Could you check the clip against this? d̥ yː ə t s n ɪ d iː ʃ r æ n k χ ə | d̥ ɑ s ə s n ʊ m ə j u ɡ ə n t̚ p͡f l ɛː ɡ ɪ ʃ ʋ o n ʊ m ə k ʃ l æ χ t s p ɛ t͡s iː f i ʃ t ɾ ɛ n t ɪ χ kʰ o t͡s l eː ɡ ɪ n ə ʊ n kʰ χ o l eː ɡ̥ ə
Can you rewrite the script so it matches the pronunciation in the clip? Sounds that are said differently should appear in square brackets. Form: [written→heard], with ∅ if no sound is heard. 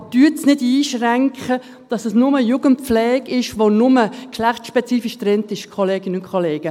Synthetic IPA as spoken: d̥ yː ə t s n ɪ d iː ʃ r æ [n→ŋ] k χ ə | d̥ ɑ s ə s n ʊ m ə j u ɡ ə n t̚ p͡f l ɛː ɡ ɪ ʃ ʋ o n ʊ m ə k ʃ l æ χ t [s→ʃ] p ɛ t͡s iː f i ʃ t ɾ ɛ n t ɪ [χ→ʃ] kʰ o [t͡s→∅] l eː ɡ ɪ n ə ʊ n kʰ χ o l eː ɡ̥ ə